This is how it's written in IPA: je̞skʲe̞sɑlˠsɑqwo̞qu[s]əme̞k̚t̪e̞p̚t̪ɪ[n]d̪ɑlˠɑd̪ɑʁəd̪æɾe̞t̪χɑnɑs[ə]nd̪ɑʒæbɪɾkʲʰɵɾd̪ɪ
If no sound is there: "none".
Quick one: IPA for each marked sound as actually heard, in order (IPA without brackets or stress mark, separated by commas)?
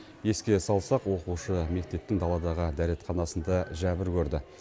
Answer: ʃ, ŋ, ə